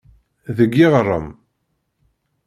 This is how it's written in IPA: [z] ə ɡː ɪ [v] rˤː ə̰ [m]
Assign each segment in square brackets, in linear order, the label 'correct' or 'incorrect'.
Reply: incorrect, incorrect, correct

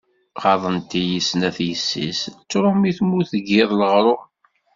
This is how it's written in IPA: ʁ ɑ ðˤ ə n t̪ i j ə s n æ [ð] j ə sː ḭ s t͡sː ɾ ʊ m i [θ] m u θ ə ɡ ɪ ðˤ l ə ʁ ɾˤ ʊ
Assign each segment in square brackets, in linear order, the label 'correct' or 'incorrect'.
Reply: incorrect, correct

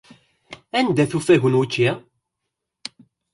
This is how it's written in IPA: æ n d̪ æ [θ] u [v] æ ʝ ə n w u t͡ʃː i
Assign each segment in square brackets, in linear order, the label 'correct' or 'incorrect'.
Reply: correct, incorrect

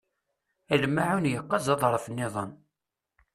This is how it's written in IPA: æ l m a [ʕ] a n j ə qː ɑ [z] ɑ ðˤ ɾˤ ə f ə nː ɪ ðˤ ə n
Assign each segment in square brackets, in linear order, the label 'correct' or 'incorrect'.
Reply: correct, correct

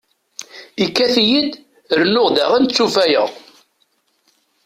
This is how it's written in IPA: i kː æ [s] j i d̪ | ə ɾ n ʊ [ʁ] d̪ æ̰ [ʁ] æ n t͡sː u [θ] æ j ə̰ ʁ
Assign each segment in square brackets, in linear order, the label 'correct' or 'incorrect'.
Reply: incorrect, correct, correct, incorrect

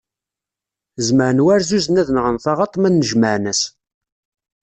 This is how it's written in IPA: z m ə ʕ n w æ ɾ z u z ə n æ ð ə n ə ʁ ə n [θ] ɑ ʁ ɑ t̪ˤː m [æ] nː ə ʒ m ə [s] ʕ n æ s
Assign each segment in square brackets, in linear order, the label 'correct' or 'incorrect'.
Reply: correct, correct, incorrect

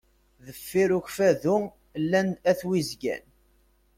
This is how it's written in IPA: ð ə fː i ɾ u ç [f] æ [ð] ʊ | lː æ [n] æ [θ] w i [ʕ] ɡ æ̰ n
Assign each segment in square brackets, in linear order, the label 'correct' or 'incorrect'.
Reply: correct, correct, correct, correct, incorrect

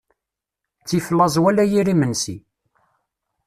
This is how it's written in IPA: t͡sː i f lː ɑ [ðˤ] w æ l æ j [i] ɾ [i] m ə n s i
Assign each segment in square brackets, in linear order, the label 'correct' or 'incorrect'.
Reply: incorrect, correct, correct

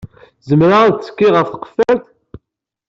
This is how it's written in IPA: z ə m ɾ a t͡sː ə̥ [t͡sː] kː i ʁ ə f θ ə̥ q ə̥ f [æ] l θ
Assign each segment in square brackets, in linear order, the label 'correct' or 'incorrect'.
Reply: incorrect, correct

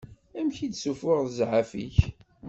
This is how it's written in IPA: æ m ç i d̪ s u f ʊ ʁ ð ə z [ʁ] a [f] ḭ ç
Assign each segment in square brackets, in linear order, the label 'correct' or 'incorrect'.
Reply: incorrect, correct

